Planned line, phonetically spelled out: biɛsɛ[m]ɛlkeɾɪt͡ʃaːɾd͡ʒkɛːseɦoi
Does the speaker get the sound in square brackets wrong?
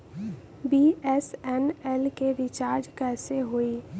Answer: yes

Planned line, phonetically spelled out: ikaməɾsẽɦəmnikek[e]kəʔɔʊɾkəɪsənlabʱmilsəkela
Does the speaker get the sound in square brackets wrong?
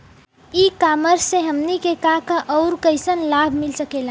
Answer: yes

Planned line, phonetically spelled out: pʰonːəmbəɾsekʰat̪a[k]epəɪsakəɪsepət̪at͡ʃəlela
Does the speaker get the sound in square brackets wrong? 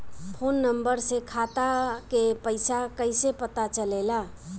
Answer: no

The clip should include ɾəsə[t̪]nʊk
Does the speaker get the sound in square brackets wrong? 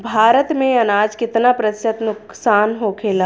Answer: no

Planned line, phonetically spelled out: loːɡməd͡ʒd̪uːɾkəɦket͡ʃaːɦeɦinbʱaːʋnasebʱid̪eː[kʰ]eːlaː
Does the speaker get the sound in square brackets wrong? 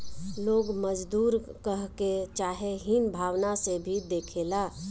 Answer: no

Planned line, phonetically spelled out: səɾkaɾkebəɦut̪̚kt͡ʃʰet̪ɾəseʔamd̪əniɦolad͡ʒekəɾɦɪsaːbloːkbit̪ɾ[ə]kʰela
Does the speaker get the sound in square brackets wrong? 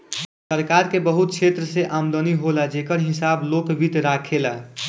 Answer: yes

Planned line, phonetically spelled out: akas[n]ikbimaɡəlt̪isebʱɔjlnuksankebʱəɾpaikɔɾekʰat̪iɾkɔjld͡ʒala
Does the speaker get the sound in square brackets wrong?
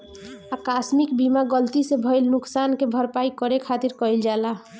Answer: yes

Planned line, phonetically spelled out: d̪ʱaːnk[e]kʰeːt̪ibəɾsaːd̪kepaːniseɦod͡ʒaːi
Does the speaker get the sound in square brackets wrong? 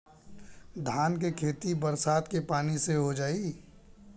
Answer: no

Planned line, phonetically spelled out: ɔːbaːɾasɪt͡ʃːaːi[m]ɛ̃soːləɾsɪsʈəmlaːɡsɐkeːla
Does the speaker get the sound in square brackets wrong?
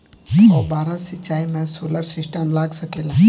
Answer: no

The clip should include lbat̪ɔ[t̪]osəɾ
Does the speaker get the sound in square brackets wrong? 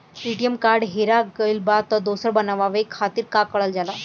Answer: yes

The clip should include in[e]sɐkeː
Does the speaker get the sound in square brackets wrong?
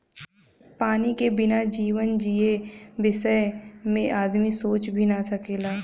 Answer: yes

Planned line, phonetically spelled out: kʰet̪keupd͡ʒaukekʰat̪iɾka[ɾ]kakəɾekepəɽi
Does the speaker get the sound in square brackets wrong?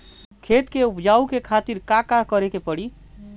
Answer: yes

